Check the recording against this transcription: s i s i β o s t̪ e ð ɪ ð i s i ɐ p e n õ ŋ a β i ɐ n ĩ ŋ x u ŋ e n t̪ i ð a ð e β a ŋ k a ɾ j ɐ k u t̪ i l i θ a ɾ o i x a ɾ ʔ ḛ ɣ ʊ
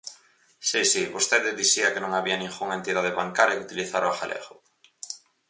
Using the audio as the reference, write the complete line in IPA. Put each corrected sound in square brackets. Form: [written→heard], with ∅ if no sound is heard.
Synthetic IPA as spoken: s i s i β o s t̪ e ð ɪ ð i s i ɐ [p→k] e n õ ŋ a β i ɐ n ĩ ŋ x u ŋ e n t̪ i ð a ð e β a ŋ k a ɾ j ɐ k u t̪ i l i θ a ɾ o [i→a] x a [ɾ→l] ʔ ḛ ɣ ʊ

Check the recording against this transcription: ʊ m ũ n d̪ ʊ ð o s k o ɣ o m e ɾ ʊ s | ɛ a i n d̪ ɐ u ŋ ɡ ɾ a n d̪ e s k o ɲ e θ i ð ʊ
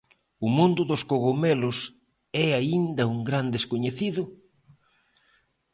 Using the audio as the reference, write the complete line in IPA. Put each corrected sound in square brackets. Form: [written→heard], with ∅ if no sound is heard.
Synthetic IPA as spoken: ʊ m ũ n d̪ ʊ ð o s k o ɣ o m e [ɾ→l] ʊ s | ɛ a i n d̪ ɐ u ŋ ɡ ɾ a n d̪ e s k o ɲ e θ i ð ʊ

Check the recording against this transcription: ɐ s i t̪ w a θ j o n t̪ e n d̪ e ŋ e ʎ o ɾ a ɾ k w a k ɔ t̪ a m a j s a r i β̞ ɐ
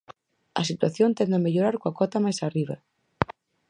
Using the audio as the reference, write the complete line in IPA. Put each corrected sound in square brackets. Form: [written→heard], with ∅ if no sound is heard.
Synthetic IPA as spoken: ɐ s i t̪ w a θ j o n t̪ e n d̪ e [ŋ→m] e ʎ o ɾ a ɾ k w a k ɔ t̪ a m a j s a r i β̞ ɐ

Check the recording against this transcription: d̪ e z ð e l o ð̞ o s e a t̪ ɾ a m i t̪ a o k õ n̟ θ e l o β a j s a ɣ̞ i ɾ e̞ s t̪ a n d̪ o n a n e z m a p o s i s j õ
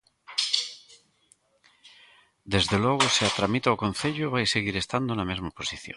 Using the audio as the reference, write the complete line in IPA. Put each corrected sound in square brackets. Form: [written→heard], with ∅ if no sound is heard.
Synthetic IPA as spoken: d̪ e z ð e l o [ð̞→ɣ̞] o s e a t̪ ɾ a m i t̪ a o k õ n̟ θ e [l→ʎ] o β a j s [a→e] ɣ̞ i ɾ e̞ s t̪ a n d̪ o n a [n→m] e z m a p o s i [s→θ] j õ

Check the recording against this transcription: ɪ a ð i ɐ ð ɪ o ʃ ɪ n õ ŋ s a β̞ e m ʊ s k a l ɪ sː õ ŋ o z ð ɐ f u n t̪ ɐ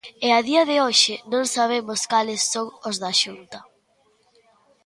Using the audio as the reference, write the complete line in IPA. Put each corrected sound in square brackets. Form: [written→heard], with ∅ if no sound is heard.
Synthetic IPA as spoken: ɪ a ð i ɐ ð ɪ o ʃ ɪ n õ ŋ s a β̞ e m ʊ s k a l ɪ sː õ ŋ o z ð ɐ [f→ʃ] u n t̪ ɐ

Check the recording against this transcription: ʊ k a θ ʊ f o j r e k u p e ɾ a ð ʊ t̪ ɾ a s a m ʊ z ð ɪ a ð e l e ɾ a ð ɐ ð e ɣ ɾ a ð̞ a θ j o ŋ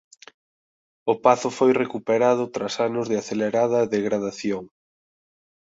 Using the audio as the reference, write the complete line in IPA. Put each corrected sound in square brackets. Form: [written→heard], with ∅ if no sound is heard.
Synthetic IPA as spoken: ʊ [k→p] a θ ʊ f o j r e k u p e ɾ a ð ʊ t̪ ɾ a s a [m→n] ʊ z ð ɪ a [ð→θ] e l e ɾ a ð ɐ ð e ɣ ɾ a ð̞ a θ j o ŋ

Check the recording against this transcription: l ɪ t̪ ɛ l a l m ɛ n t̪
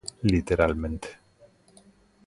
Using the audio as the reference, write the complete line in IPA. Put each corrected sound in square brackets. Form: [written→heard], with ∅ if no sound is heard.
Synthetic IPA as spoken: l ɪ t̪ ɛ [l→ɾ] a l m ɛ n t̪

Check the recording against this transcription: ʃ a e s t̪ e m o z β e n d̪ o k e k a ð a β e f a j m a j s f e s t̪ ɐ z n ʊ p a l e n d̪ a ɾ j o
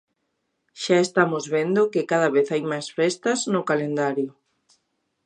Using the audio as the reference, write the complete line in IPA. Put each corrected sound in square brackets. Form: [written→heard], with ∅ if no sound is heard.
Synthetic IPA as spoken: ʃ a e s t̪ [e→a] m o z β e n d̪ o k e k a ð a β e [f→θ] a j m a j s f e s t̪ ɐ z n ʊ [p→k] a l e n d̪ a ɾ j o

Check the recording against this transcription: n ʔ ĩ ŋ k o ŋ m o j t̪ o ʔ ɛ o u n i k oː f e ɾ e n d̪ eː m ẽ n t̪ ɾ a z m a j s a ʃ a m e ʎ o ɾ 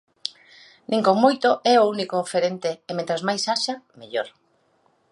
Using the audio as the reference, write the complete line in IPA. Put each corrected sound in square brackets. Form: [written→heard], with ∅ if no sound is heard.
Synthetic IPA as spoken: n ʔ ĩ ŋ k o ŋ m o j t̪ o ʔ ɛ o u n i k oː f e ɾ e n [d̪→t̪] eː m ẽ n t̪ ɾ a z m a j s a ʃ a m e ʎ o ɾ

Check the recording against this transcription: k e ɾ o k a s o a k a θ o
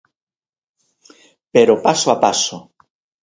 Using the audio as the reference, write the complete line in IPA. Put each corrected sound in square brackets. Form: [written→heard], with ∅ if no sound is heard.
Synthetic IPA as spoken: [k→p] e ɾ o [k→p] a s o a [k→p] a [θ→s] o

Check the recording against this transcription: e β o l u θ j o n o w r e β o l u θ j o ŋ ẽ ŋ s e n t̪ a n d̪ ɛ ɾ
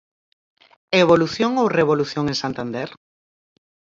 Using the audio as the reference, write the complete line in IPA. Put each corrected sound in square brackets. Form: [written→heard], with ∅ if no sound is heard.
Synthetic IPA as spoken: e β o l u θ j o [n→ŋ] o w r e β o l u θ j o ŋ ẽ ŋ s [e→a] n t̪ a n d̪ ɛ ɾ

